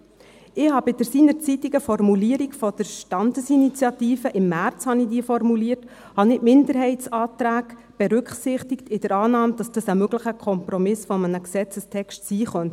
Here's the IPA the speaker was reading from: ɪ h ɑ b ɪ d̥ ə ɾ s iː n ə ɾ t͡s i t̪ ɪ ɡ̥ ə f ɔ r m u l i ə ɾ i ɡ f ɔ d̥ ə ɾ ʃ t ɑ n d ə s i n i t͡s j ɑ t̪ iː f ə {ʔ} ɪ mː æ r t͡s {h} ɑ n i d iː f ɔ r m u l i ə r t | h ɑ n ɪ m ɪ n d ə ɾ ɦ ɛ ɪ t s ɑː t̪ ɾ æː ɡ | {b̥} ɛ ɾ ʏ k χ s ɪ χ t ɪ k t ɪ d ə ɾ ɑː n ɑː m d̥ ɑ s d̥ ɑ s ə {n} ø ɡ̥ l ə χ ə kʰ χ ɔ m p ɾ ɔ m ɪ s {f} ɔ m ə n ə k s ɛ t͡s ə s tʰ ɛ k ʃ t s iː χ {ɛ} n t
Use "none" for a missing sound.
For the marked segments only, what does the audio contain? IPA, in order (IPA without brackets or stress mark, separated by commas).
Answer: ʔ, h, b̥, m, f, œ